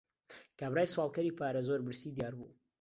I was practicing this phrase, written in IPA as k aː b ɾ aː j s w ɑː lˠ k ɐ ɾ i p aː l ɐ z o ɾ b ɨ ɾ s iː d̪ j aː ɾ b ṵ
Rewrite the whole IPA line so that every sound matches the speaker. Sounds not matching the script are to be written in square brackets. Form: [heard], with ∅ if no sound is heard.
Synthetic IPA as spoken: k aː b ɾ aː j s w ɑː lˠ k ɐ ɾ i p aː [ɾ] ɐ z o ɾ b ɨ ɾ s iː d̪ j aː ɾ b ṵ